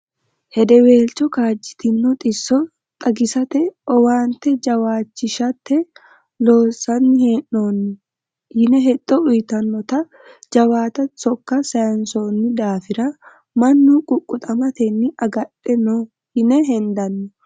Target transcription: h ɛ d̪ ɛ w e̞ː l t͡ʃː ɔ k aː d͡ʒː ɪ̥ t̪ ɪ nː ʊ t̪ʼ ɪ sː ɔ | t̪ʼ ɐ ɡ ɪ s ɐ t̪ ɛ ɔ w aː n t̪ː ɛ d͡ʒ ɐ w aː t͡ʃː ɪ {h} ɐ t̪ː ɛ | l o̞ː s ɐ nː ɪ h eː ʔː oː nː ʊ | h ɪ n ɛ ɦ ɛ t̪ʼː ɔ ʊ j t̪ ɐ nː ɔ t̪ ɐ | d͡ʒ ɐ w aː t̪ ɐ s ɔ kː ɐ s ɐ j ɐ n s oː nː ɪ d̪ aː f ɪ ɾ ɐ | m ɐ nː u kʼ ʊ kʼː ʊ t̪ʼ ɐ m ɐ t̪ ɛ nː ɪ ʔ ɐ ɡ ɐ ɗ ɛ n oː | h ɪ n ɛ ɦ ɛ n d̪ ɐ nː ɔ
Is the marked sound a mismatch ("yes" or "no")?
yes